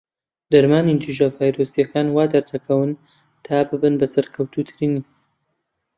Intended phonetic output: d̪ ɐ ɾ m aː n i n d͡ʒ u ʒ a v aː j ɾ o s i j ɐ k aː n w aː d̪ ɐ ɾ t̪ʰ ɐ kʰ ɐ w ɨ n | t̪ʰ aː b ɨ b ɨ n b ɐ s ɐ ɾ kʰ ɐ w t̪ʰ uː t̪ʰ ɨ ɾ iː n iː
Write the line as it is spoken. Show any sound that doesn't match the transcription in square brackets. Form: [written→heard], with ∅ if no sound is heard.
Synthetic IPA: d̪ ɐ ɾ m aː n i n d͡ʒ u ʒ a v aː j ɾ o s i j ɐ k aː n w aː d̪ ɐ ɾ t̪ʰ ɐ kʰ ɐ w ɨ n | t̪ʰ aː b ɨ b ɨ n b ɐ s ɐ ɾ kʰ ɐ w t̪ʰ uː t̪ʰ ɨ ɾ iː n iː

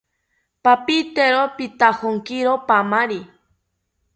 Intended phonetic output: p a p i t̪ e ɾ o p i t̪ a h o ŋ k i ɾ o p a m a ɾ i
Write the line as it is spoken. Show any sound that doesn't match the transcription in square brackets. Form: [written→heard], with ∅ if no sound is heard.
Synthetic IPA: p a p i t̪ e ɾ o p i t̪ a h o ŋ k i ɾ o p a m a ɾ i

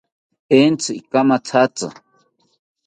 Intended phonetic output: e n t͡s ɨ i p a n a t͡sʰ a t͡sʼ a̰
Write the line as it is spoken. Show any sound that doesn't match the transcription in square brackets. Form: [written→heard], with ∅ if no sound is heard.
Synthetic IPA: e n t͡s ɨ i [p→k] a [n→m] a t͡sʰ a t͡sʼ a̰

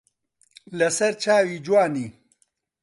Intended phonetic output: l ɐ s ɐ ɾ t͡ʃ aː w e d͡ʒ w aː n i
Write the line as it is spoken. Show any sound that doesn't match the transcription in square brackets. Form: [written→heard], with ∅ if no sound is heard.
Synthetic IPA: l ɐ s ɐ ɾ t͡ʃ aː w [e→i] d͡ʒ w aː n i

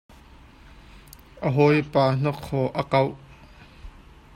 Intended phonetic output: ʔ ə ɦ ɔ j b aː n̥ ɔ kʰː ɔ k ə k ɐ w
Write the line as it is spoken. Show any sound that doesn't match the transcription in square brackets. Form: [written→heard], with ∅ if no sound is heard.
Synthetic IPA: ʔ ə ɦ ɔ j [b→p] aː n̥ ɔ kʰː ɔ [k→ʔ] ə k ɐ w

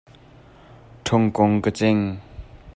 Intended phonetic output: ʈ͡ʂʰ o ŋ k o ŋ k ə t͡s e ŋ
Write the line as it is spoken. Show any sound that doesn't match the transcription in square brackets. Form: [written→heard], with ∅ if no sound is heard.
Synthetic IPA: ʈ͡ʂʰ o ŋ k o ŋ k ə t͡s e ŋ

